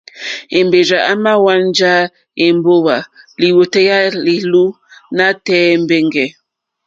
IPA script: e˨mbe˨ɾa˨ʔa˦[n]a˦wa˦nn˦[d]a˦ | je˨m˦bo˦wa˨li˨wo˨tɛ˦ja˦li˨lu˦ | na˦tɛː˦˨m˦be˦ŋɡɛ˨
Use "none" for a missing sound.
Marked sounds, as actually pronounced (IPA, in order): m, d͡ʒ

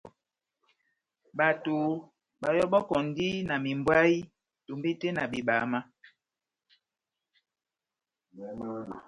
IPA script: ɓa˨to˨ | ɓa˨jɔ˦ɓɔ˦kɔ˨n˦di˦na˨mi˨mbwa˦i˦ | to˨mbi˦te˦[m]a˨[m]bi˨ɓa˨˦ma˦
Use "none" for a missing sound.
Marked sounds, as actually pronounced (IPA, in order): n, none

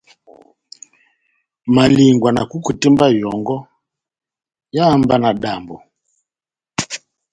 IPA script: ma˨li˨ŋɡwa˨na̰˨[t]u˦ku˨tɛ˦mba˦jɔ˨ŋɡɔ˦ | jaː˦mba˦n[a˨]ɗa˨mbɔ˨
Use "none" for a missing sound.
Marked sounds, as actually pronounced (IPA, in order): k, a˨

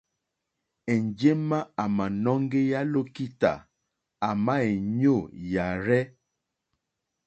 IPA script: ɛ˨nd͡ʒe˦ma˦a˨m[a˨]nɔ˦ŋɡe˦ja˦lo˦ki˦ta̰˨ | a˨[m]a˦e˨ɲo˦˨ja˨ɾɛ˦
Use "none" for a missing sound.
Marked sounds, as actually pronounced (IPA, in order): a˨, m

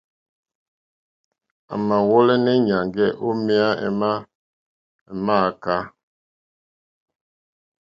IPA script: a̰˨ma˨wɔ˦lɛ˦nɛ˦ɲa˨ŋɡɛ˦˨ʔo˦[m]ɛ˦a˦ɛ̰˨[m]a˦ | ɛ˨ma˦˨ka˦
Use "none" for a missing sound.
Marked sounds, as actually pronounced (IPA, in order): m, m

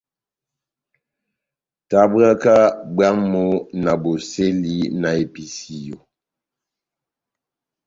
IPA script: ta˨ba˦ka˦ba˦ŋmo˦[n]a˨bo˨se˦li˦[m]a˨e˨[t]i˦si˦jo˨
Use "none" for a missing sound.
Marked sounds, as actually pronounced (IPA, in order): n, n, p

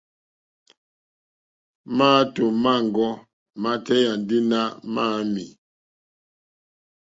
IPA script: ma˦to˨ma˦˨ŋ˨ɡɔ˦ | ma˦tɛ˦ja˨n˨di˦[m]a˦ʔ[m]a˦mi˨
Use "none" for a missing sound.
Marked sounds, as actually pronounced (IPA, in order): n, m

